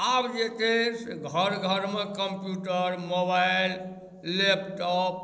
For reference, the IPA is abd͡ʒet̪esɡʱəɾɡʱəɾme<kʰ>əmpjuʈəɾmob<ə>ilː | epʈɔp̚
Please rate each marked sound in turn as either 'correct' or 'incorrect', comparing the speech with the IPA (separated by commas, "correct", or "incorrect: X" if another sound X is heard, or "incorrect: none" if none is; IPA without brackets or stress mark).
incorrect: k, incorrect: a